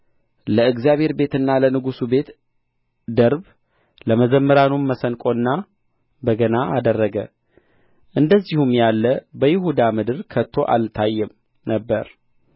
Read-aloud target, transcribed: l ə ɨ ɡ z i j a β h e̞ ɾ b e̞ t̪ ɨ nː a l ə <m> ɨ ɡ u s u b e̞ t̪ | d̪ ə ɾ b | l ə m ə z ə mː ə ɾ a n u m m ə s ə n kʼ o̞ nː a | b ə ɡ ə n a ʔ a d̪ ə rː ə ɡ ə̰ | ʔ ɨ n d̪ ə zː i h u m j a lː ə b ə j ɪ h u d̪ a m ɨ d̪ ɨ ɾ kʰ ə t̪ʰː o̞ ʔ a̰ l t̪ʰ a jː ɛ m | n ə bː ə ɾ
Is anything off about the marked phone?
yes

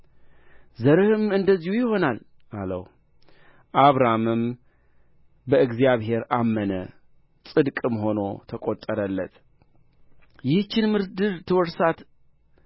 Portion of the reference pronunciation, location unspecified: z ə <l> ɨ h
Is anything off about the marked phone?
yes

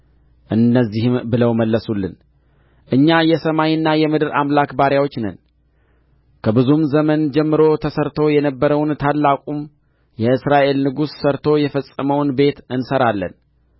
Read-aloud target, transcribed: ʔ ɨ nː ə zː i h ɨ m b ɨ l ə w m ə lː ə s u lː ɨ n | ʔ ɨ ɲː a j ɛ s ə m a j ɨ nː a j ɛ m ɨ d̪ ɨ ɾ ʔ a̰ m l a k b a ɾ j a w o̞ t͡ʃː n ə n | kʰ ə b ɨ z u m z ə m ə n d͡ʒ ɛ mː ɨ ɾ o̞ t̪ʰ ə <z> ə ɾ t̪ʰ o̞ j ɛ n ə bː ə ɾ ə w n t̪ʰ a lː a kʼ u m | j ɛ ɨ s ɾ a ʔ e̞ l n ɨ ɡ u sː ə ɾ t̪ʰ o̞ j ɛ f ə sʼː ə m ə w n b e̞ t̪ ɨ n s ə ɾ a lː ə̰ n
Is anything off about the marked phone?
yes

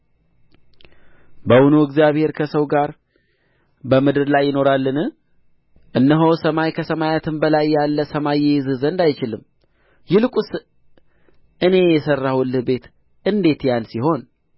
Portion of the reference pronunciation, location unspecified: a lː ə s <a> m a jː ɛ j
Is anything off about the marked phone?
yes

